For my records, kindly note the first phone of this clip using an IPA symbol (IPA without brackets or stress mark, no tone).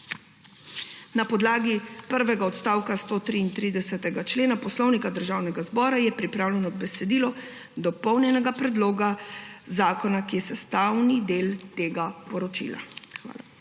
n